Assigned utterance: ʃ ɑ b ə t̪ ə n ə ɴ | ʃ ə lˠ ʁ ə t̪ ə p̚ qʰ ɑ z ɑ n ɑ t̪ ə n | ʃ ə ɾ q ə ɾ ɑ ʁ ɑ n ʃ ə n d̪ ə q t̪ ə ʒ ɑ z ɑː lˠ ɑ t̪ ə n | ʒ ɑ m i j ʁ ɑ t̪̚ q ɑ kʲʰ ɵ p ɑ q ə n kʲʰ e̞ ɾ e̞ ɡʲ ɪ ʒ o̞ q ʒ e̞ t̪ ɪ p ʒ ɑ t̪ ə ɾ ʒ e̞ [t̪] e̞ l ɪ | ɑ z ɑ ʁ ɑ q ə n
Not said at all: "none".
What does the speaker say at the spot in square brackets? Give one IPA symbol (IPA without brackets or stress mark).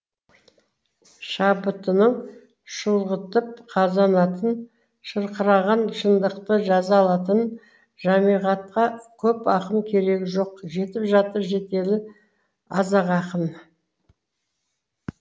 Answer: t̪